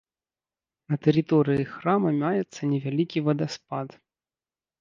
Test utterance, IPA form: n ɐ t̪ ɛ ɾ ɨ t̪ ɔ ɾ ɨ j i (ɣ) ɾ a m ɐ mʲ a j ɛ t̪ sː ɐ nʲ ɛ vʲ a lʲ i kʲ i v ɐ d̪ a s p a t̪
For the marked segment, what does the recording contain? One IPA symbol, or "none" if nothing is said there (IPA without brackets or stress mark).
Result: x